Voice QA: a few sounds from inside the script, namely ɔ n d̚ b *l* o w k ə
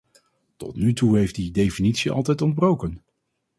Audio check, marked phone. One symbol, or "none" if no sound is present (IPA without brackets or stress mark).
r